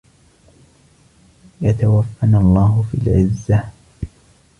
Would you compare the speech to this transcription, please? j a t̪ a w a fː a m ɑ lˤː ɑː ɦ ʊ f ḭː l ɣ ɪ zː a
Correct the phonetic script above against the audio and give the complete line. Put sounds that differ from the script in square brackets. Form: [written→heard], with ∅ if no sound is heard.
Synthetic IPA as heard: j a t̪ a w a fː a [m→n] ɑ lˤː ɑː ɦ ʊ f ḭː l [ɣ→ʕ] ɪ zː a